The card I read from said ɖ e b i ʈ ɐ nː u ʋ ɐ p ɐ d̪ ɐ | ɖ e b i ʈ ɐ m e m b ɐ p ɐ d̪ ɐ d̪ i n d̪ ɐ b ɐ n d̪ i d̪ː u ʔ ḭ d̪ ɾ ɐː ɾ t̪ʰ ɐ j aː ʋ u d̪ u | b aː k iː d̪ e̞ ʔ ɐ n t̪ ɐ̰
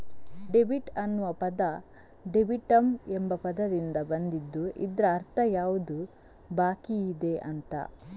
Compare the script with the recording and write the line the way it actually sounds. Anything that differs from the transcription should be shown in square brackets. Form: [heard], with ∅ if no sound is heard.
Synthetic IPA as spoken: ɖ e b i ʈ ɐ nː u ʋ ɐ p ɐ d̪ ɐ | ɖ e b i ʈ ɐ m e m b ɐ p ɐ d̪ ɐ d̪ i n d̪ ɐ b ɐ n d̪ i d̪ː u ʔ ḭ d̪ ɾ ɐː ɾ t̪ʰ ɐ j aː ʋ u d̪ u | b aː k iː d̪ e̞ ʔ ɐ n t̪ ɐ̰